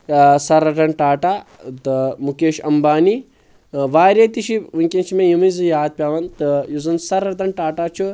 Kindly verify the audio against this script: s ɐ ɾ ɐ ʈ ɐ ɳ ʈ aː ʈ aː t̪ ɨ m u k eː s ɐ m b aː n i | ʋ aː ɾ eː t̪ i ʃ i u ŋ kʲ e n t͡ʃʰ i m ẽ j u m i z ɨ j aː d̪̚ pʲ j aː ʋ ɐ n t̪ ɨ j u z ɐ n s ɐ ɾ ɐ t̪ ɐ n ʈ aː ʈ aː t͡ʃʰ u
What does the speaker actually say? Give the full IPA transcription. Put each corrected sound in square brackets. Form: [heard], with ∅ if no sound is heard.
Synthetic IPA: s ɐ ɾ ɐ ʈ ɐ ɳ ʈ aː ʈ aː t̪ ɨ m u k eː [ʃ] ɐ m b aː n i | ʋ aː ɾ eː t̪ i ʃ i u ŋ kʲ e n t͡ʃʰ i m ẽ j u m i z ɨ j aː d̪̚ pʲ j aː ʋ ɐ n t̪ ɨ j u z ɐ n s ɐ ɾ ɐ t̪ ɐ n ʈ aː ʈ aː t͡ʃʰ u